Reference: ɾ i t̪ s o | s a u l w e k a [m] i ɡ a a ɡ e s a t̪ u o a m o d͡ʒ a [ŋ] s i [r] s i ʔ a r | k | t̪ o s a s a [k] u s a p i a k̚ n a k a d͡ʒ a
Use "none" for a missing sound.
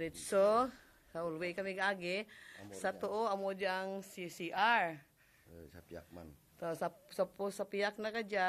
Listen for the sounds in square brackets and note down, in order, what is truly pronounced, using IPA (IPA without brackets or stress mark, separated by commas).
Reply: m, ŋ, none, p